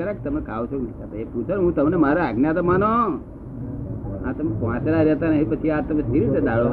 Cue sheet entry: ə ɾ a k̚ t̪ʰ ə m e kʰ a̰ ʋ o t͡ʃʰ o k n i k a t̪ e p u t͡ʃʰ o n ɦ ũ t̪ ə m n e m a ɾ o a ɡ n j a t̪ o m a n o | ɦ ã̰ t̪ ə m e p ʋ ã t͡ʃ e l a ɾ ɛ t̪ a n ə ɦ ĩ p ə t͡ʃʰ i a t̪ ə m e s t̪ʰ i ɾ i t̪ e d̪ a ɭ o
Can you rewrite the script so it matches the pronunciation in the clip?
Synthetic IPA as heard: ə ɾ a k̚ t̪ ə m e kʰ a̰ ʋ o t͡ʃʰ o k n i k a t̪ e p u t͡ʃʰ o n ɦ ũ t̪ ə m n e m a ɾ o a ɡ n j a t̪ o m a n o | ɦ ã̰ t̪ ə m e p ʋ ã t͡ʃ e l a ɾ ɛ t̪ a n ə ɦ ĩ p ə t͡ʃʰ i a t̪ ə m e s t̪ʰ i ɾ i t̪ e d̪ a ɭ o